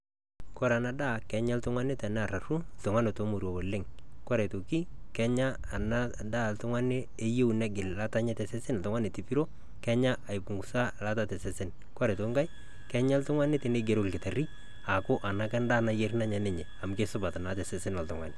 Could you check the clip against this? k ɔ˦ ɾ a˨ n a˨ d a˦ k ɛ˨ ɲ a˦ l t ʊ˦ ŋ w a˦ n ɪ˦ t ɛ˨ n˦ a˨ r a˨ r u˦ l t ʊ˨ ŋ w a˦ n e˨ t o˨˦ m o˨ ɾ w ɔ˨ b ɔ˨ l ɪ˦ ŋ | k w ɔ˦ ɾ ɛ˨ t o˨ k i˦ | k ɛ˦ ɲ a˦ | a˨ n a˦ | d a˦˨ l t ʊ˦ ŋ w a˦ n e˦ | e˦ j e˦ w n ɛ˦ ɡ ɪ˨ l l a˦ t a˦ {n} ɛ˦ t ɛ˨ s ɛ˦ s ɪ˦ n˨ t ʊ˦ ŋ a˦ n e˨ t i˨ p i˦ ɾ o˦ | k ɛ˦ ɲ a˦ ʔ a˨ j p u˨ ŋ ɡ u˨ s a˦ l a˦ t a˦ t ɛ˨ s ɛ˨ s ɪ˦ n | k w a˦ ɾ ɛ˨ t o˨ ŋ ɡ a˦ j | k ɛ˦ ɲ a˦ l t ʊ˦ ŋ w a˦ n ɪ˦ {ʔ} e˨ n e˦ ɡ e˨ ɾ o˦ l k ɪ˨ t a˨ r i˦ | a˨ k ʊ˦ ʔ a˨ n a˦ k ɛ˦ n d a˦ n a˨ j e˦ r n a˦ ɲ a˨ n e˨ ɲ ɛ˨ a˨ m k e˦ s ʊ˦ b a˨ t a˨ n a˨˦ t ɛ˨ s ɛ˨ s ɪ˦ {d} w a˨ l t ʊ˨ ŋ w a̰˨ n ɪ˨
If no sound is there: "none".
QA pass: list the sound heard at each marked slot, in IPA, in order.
ɲ, t, n

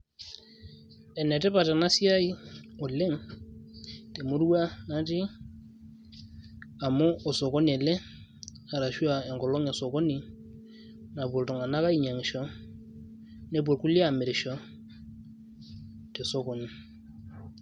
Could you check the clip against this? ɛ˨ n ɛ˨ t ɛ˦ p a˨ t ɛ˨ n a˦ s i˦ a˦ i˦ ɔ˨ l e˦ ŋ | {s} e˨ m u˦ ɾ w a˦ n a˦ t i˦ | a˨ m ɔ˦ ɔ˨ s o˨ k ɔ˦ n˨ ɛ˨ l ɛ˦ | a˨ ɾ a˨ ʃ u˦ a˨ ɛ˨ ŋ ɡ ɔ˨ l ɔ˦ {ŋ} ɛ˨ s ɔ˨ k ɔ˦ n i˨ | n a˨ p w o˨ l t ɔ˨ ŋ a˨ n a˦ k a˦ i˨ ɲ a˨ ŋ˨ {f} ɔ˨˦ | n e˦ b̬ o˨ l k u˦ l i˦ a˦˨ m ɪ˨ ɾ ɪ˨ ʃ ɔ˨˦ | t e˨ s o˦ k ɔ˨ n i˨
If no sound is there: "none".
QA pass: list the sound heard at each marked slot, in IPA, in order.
t, ŋ, ʃ

